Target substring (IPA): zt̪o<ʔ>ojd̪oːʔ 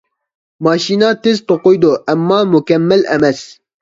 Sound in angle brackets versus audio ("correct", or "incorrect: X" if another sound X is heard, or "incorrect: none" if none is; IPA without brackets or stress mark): incorrect: q